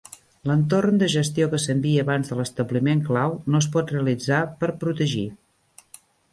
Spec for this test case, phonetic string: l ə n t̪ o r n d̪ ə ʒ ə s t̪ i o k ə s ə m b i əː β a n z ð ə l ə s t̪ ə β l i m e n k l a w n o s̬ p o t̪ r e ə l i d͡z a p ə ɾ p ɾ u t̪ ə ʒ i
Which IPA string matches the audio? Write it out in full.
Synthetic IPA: l ə n t̪ o r n d̪ ə ʒ ə s t̪ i o k ə s ə m b i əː β a n z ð ə l ə s t̪ ə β l i m e ŋ k l a w n o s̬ p ɔ t̪ r e ə l i d͡z a p ə ɾ p ɾ u t̪ ə ʒ i